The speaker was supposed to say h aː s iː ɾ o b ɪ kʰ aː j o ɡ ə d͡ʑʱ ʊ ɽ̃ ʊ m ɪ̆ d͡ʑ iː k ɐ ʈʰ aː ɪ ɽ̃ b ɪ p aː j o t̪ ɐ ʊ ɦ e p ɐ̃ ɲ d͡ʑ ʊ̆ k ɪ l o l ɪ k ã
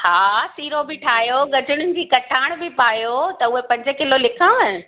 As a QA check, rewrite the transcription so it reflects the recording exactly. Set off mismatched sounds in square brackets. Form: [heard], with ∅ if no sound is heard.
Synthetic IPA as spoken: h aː s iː ɾ o b ɪ [ʈʰ] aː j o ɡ [ɐ] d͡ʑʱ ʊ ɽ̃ ʊ [n] ɪ̆ d͡ʑ iː k ɐ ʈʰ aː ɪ ɽ̃ b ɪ p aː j o t̪ ɐ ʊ ɦ e p ɐ̃ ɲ d͡ʑ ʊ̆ k ɪ l o l ɪ [kʰ] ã